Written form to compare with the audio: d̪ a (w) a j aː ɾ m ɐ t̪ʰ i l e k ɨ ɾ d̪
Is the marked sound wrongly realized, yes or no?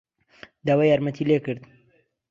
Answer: no